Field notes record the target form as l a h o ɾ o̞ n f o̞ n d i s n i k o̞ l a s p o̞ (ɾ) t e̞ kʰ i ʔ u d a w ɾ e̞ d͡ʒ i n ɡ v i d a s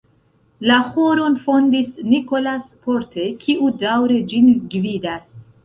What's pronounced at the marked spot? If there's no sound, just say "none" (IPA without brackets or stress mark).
ɾ